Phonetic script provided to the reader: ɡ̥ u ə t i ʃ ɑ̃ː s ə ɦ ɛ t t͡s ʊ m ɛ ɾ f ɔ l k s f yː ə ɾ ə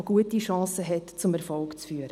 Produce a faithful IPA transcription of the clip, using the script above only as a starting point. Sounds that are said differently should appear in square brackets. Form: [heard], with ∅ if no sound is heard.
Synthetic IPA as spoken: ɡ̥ u ə t i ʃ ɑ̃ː s ə ɦ ɛ t t͡s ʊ m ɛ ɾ f ɔ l k [t͡s] f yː ə ɾ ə